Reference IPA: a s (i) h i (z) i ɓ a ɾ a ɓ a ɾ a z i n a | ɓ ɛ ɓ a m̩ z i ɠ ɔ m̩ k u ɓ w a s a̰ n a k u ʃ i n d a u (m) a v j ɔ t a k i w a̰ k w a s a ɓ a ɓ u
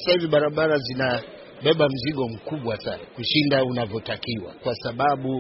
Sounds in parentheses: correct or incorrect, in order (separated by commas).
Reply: incorrect, incorrect, incorrect